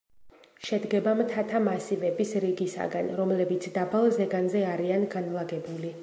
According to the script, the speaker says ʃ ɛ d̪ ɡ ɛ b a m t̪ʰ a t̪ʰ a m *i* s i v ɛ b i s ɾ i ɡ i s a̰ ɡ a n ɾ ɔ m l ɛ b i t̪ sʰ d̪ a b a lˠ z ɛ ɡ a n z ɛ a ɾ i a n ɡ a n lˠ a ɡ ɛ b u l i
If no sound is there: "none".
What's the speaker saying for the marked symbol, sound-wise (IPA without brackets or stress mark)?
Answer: a